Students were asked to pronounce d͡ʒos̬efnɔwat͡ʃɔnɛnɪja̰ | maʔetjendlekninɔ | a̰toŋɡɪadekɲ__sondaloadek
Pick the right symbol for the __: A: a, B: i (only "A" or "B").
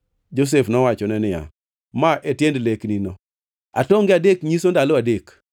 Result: B